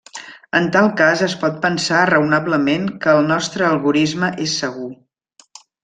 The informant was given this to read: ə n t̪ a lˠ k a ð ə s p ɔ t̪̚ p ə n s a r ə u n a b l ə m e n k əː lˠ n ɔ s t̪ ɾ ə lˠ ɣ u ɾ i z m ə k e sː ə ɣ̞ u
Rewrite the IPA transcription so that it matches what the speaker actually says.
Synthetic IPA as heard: ə n t̪ a lˠ k a z ə s p ɔ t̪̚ p ə n s a r ə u n a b l ə m e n k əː lˠ n ɔ s t̪ ɾ əː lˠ ɣ u ɾ i z m ə ʔ e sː ə ɣ̞ u